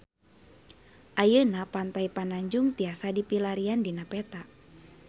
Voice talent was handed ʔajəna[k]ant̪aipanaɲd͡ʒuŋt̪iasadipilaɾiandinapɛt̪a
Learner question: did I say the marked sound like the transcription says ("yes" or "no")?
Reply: no